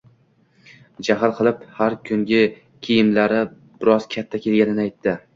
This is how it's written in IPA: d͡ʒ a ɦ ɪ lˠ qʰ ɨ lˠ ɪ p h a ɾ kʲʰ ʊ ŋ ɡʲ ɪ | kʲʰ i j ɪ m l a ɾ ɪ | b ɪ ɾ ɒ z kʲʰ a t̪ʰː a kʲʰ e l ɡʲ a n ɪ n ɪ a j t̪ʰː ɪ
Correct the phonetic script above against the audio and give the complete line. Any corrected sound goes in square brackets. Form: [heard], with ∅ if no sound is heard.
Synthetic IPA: d͡ʒ a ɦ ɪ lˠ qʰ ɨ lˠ ɪ p h a ɾ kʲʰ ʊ ŋ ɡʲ ɪ | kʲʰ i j ɪ m l a ɾ ɪ | b ɪ ɾ ɒ z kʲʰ a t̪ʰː a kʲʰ e l ɡʲ a n ɪ n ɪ a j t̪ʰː ɪ